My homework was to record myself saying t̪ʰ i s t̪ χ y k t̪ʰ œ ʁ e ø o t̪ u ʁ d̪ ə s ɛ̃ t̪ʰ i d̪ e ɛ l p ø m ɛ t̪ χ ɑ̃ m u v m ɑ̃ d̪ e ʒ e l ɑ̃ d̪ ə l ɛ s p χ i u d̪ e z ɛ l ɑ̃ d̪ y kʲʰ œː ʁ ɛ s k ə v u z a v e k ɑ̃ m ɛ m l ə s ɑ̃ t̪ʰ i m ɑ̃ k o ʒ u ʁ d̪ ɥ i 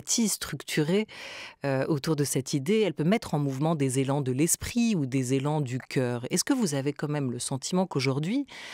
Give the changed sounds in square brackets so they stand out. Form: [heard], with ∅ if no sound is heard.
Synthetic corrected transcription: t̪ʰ i s t̪ χ y k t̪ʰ [y] ʁ e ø o t̪ u ʁ d̪ ə s [ɛ] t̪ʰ i d̪ e ɛ l p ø m ɛ t̪ χ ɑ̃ m u v m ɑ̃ d̪ e [z] e l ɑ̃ d̪ ə l ɛ s p χ i u d̪ e z [e] l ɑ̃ d̪ y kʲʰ œː ʁ ɛ s k ə v u z a v e k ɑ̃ m ɛ m l ə s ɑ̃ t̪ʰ i m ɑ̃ k o ʒ u ʁ d̪ ɥ i